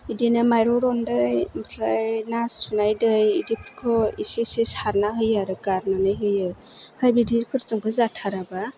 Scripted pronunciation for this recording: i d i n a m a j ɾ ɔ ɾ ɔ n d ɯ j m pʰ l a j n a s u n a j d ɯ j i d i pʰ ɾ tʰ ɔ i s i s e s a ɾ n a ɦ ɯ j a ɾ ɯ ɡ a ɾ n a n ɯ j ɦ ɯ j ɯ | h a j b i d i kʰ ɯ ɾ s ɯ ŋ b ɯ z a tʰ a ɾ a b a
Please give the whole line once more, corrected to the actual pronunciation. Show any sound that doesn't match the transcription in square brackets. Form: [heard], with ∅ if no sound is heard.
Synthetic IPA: i d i n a m a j ɾ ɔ ɾ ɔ n d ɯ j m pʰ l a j n a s u n a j d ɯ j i d i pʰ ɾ [kʰ] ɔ i s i s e s a ɾ n a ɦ ɯ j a ɾ ɯ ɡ a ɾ n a n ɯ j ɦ ɯ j ɯ | h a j b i d i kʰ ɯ ɾ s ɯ ŋ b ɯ z a tʰ a ɾ a b a